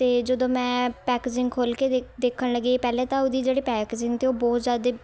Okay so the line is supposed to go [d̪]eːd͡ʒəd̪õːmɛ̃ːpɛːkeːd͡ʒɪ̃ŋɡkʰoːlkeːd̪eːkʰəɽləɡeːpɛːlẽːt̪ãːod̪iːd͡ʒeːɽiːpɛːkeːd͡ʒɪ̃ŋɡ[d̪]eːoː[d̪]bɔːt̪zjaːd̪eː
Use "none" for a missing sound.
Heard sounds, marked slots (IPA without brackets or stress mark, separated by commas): t̪, t̪, none